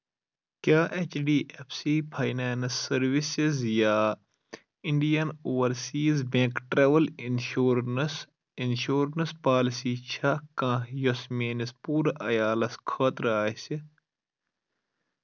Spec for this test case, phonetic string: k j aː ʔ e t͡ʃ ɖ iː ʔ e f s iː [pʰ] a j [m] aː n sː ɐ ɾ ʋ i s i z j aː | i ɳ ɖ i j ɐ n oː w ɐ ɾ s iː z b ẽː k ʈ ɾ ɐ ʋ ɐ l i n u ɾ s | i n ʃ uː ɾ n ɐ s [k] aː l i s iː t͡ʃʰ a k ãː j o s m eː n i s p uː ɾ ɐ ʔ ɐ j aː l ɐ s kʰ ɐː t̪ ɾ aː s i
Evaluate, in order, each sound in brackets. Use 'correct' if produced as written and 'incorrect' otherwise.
correct, incorrect: n, incorrect: p

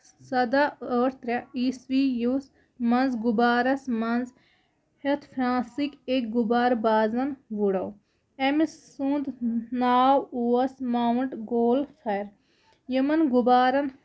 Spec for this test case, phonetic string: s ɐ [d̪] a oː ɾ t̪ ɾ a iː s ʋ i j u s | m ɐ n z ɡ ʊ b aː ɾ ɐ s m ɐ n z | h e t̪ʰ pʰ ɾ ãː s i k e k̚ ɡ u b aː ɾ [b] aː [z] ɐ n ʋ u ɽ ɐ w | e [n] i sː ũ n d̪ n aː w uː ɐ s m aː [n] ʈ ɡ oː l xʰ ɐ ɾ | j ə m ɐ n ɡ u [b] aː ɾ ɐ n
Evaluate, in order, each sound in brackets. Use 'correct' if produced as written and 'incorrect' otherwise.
correct, correct, correct, incorrect: m, incorrect: ɳ, correct

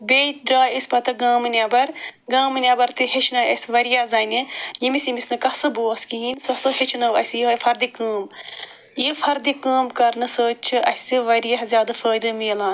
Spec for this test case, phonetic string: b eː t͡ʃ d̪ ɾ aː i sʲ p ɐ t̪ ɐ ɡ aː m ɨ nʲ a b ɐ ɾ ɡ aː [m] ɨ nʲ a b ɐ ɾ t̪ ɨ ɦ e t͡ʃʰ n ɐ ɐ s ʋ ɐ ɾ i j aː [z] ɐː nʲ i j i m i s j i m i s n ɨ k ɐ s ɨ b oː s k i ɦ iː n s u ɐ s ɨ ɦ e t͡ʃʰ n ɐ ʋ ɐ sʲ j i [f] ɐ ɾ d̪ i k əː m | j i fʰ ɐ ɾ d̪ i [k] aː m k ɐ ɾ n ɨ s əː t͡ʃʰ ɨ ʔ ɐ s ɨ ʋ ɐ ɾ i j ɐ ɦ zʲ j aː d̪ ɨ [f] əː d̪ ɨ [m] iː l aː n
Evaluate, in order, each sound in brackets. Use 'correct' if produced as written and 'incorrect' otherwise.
correct, correct, correct, correct, correct, correct

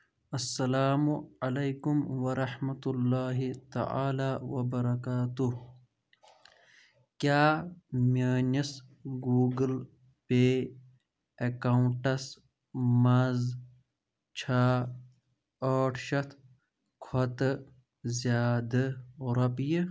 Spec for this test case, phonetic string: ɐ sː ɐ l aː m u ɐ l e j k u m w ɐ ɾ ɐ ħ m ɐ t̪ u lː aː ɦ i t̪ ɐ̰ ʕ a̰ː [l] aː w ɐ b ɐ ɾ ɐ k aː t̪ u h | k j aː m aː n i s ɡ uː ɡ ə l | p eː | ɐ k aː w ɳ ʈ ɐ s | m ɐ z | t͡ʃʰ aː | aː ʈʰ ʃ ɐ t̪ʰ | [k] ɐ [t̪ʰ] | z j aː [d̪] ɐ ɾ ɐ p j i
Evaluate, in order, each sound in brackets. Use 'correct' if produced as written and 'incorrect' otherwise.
correct, incorrect: kʰ, incorrect: t̪, correct

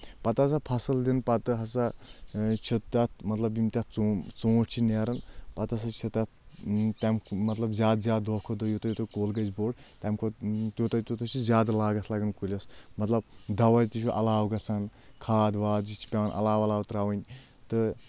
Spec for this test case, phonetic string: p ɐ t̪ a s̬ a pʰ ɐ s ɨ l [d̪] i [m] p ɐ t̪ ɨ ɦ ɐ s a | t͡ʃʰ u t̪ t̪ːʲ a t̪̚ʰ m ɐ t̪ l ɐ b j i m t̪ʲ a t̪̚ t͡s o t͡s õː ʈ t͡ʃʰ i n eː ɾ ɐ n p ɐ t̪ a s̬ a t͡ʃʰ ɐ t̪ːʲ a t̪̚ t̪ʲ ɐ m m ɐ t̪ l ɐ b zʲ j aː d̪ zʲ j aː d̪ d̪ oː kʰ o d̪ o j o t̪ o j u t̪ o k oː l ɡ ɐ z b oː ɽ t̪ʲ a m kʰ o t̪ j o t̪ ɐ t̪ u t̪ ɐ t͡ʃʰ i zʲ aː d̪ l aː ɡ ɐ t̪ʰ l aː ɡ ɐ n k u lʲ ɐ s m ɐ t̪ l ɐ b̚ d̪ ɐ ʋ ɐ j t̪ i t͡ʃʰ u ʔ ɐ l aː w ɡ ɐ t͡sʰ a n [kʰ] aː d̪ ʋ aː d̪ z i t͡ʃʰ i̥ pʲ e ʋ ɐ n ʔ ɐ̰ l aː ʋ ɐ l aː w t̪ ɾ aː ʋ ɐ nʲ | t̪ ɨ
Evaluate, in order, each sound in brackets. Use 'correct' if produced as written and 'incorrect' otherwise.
correct, incorrect: n, correct

